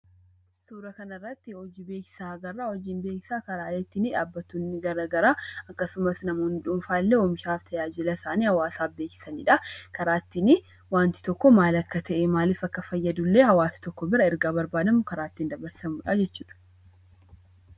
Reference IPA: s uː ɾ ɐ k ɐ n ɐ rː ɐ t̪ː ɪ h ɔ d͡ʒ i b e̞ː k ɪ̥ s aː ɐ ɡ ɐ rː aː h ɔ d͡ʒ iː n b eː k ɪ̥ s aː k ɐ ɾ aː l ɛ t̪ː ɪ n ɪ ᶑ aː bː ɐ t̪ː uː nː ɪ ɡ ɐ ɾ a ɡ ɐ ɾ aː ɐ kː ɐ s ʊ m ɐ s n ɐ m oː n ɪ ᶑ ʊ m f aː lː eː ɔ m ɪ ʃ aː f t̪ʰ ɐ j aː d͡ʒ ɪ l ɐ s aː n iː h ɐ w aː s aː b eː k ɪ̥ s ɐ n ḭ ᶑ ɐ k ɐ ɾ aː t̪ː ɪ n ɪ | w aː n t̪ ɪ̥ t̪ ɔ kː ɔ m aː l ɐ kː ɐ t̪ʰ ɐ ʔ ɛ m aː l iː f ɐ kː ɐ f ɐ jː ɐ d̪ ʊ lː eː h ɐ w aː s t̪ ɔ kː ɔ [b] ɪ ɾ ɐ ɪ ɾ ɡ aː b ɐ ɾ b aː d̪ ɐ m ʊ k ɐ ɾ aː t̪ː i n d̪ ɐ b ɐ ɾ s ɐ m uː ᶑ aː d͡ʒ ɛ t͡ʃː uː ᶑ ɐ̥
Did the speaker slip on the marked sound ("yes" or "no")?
no